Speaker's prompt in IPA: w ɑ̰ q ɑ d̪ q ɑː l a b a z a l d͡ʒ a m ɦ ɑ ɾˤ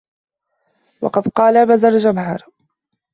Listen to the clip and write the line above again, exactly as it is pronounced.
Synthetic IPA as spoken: w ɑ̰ q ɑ d̪ q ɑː l a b a z a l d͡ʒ a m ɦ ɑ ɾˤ